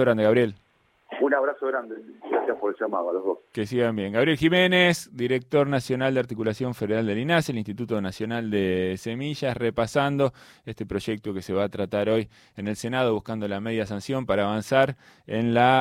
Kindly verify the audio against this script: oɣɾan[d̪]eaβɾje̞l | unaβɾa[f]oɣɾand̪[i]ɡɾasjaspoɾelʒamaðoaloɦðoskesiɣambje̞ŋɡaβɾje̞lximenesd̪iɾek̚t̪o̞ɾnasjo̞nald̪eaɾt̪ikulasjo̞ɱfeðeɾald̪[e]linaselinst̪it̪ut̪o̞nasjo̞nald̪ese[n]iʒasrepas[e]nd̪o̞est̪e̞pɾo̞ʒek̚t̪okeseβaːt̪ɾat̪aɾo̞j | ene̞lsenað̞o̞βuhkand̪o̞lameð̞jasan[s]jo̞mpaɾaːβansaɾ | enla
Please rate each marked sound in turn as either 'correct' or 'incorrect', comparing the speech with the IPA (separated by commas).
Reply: correct, incorrect, incorrect, correct, incorrect, incorrect, correct